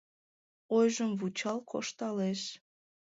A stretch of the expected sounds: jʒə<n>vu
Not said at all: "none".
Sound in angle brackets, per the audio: m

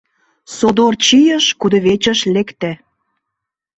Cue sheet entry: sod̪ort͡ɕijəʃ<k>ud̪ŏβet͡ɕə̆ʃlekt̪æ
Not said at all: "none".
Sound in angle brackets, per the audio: k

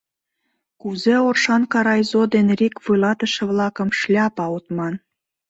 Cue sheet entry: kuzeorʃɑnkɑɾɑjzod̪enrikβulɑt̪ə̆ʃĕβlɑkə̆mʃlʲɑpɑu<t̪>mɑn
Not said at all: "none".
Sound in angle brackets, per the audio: t̪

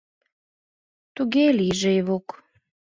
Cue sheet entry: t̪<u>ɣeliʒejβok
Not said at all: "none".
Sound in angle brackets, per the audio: u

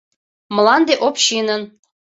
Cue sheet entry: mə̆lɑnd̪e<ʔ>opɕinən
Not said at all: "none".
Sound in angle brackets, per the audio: ʔ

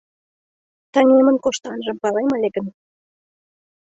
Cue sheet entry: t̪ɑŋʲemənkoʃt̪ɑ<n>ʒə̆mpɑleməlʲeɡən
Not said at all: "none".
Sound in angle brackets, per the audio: n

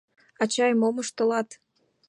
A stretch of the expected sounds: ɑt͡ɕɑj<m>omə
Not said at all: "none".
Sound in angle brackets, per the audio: m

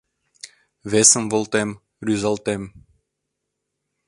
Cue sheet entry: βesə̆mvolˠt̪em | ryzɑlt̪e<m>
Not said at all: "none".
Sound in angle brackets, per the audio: m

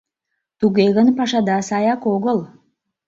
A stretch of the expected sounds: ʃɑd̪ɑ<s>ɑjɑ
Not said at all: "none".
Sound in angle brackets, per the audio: s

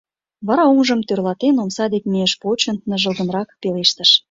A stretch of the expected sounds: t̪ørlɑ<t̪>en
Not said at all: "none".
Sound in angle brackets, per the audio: t̪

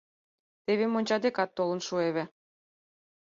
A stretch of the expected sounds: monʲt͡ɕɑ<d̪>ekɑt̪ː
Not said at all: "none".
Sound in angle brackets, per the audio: d̪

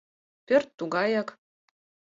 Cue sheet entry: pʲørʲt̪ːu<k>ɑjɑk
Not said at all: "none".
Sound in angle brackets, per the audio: ɡ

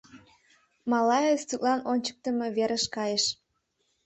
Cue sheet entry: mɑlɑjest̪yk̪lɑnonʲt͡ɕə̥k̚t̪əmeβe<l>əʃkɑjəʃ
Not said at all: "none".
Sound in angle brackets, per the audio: ɾ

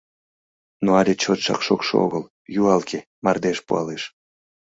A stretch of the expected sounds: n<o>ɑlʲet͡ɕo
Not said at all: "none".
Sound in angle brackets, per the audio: o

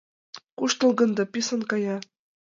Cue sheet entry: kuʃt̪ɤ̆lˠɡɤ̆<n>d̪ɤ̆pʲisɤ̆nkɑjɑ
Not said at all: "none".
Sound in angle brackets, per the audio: n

